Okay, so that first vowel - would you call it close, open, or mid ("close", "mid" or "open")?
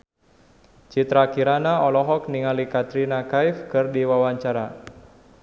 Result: close